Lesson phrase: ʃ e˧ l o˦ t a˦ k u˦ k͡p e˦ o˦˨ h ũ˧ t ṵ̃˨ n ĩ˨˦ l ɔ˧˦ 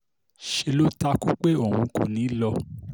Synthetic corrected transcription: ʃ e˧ l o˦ t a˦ k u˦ k͡p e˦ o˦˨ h ũ˧ k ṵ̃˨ n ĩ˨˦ l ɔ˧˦